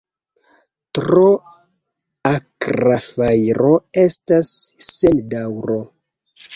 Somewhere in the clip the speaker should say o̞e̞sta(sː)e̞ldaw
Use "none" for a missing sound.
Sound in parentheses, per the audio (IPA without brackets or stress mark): sː